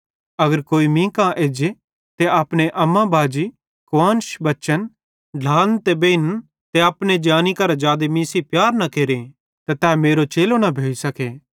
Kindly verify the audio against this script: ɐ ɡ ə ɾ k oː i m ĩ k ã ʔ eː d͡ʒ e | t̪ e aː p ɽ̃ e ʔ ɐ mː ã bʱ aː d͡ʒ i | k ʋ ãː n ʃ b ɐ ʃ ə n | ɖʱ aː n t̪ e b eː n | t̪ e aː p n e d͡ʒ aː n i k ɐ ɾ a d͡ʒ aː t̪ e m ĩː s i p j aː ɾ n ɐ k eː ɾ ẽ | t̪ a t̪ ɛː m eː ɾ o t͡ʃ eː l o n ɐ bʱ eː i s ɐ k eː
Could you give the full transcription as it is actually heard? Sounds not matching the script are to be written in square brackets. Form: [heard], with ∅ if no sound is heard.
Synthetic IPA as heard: ɐ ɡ ə ɾ k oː i m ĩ k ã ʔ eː d͡ʒ e | t̪ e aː p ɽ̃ e ʔ ɐ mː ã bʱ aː d͡ʒ i | k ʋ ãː n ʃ b ɐ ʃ ə n | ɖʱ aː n t̪ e b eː n | t̪ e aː p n e d͡ʒ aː n i k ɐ ɾ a d͡ʒ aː [d̪] e m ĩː s i p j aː ɾ n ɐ k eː ɾ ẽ | t̪ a t̪ ɛː m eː ɾ o t͡ʃ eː l o n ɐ bʱ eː i s ɐ k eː